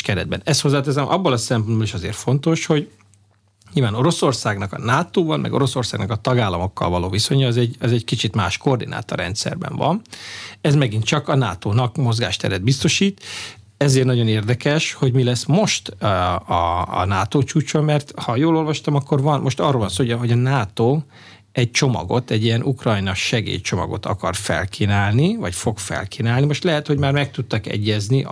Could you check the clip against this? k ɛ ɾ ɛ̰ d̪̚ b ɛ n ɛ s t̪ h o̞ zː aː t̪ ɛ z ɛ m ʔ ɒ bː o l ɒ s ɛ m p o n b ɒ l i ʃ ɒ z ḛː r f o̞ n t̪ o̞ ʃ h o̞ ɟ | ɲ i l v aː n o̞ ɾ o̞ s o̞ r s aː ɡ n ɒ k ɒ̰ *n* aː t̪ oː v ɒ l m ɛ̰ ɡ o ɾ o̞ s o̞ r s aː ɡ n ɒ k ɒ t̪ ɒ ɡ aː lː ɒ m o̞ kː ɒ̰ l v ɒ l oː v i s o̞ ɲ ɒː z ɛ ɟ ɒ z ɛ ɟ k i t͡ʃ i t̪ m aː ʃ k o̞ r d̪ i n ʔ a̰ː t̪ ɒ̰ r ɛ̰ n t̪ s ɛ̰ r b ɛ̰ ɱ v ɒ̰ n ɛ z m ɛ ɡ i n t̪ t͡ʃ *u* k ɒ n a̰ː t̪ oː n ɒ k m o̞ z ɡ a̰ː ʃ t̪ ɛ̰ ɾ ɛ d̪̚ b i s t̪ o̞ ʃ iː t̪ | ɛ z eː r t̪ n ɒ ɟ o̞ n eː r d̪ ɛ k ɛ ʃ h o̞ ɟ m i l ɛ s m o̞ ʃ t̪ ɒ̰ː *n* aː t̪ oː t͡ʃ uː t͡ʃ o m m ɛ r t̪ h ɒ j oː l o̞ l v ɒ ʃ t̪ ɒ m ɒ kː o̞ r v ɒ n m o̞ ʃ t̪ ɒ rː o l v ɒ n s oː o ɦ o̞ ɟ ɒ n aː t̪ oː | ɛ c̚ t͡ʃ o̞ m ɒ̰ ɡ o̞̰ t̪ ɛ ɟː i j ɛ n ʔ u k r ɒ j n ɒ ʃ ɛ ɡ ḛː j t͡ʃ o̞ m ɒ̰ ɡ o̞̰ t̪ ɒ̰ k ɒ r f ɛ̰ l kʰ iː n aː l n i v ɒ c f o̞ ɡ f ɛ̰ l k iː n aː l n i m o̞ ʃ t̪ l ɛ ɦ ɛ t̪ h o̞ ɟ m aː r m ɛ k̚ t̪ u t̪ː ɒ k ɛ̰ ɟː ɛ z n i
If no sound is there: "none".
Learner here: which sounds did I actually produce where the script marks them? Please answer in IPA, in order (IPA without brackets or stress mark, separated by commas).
n, ɒ, n